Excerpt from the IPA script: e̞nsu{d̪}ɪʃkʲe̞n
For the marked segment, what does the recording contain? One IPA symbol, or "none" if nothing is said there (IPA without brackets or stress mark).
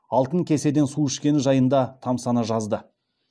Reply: none